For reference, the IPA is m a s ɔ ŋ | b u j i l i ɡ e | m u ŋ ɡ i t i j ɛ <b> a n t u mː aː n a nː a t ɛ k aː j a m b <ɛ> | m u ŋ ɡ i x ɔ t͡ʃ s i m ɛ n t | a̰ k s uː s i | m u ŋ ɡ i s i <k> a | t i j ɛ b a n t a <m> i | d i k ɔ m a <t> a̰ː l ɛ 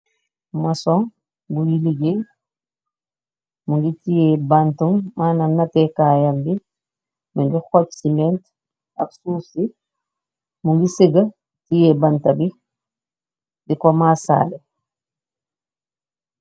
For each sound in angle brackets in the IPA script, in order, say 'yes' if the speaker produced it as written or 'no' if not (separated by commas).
yes, no, no, no, no